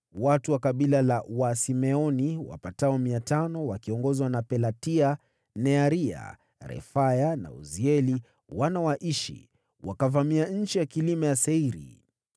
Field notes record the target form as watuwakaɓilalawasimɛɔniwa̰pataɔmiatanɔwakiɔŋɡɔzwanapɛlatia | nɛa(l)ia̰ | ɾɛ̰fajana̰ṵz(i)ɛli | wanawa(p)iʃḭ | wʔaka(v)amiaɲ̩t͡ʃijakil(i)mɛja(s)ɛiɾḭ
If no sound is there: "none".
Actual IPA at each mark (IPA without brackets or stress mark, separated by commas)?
ɾ, i, ʔ, v, i, s